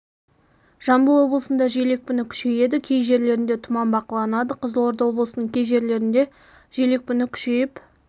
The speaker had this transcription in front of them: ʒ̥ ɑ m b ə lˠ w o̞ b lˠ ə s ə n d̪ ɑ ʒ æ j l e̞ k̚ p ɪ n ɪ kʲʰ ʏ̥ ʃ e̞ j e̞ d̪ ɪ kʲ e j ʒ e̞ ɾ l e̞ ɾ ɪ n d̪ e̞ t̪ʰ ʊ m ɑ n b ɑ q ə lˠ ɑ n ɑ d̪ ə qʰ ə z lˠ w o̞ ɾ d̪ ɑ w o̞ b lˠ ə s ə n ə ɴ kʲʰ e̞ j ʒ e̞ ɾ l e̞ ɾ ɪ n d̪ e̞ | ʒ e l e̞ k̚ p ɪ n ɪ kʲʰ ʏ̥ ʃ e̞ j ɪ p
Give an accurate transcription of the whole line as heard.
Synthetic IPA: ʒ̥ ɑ m b ə lˠ w o̞ b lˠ ə s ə n d̪ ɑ ʒ e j l e̞ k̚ p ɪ n ɪ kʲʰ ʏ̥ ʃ e̞ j e̞ d̪ ɪ kʲʰ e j ʒ e̞ ɾ l e̞ ɾ ɪ n d̪ e̞ t̪ʰ ʊ m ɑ n b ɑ q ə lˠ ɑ n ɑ d̪ ə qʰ ə z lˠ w o̞ ɾ d̪ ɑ w o̞ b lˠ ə s ə n ə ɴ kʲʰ e̞ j ʒ e̞ ɾ l e̞ ɾ ɪ n d̪ e̞ | ʒ e l e̞ k̚ p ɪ n ɪ kʲʰ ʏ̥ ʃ e̞ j ɪ p